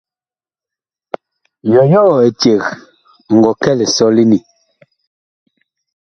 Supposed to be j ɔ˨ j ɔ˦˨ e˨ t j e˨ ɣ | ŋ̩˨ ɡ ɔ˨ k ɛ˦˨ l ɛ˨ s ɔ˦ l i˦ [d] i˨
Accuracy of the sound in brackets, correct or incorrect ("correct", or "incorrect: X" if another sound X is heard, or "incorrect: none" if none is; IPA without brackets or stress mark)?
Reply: incorrect: n